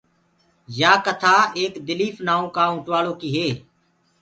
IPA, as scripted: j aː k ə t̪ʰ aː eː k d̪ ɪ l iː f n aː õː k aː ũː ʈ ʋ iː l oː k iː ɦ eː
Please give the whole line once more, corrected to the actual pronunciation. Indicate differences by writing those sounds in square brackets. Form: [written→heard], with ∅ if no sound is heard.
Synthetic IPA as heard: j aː k ə t̪ʰ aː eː k d̪ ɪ l iː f n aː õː k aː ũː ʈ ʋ [iː→aː] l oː k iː ɦ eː